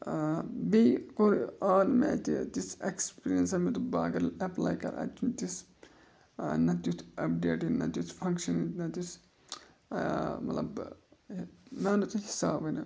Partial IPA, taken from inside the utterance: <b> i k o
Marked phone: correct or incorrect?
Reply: correct